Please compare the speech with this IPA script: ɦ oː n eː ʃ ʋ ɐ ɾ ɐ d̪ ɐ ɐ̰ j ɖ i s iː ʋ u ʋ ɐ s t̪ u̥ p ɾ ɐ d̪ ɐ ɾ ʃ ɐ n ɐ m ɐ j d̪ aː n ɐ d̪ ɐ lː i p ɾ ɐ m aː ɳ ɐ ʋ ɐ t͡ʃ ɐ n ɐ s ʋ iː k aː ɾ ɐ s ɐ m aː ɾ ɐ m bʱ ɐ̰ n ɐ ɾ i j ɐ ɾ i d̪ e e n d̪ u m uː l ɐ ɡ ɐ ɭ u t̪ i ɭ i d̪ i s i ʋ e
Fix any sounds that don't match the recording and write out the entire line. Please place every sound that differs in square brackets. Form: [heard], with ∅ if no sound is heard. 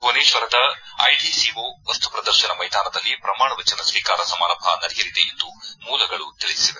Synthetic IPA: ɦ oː n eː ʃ ʋ ɐ ɾ ɐ d̪ ɐ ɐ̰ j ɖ i s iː ʋ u ʋ ɐ s t̪ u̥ p ɾ ɐ d̪ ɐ ɾ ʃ ɐ n ɐ m ɐ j d̪ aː n ɐ d̪ ɐ lː i p ɾ ɐ m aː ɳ ɐ ʋ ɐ t͡ʃ ɐ n ɐ s ʋ iː k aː ɾ ɐ s ɐ m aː ɾ ɐ m bʱ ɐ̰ n ɐ ɾ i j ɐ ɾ i d̪ e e n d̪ u m uː l ɐ ɡ ɐ ɭ u t̪ i ɭ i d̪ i s i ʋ e